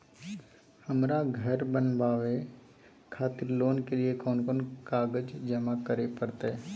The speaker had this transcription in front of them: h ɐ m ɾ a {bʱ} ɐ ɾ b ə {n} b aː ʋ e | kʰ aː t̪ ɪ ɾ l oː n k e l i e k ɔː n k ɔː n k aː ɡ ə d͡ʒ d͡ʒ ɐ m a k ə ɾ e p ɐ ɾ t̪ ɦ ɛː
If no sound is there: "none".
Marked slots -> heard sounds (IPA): ɡʱ, n

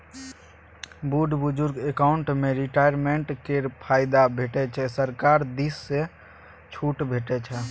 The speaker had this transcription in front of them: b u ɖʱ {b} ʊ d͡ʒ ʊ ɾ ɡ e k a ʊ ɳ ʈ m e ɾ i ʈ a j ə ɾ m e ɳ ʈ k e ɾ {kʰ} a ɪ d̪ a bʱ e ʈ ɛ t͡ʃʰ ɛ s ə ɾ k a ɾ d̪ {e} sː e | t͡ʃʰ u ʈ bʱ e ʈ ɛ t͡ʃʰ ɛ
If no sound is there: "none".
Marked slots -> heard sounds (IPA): b, pʰ, i

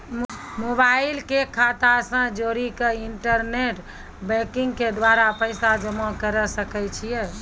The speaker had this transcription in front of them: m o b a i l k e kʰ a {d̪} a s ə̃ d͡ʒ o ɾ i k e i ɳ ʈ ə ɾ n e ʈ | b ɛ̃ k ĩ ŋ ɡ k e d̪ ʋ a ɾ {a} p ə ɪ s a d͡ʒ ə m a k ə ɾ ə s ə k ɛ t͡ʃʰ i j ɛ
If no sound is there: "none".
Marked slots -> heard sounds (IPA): t̪, a

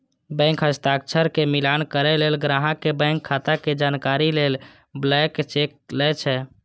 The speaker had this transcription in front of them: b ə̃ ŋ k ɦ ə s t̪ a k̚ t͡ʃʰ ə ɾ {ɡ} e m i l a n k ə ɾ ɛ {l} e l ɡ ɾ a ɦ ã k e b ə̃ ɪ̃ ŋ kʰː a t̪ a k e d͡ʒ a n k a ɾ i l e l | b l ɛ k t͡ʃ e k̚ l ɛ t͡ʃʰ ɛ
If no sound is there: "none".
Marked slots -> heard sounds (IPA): k, l

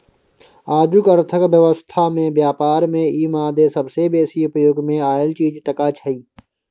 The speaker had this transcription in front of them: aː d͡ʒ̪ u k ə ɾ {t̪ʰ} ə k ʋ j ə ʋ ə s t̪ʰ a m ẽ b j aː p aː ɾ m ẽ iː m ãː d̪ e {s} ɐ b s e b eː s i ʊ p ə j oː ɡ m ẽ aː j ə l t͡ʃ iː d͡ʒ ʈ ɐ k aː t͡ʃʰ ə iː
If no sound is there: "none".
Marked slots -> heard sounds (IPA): t̪ʰ, s

